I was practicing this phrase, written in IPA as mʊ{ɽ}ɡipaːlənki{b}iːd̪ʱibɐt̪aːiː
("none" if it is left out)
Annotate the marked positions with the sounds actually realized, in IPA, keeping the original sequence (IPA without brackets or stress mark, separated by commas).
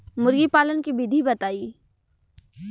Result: ɾ, b